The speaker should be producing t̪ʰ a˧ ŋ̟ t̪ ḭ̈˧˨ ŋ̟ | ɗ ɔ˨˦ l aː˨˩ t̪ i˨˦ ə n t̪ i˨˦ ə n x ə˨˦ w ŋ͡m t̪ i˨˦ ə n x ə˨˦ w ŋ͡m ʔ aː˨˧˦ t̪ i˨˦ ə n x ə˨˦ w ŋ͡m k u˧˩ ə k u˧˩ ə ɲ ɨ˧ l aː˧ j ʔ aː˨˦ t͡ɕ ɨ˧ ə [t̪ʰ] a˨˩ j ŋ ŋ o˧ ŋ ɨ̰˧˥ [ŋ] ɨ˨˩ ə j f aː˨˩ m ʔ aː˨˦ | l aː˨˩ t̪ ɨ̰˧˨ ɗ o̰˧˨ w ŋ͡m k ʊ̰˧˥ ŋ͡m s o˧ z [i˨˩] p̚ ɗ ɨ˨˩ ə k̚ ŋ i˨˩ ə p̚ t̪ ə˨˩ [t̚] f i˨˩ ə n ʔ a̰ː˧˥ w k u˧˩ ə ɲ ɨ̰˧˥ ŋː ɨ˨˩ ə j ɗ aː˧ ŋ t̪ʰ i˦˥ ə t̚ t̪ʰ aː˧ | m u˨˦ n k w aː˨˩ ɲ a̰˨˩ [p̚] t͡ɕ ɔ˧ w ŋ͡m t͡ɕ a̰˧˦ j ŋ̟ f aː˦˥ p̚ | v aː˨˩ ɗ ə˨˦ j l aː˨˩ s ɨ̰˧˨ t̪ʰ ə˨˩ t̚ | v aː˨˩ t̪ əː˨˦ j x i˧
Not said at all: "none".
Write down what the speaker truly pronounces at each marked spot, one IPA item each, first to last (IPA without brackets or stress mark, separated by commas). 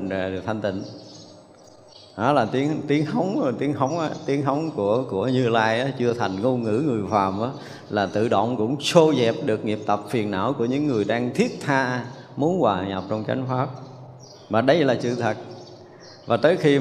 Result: t̪ʰ, ŋ, ɛ˨˩, p̚, p̚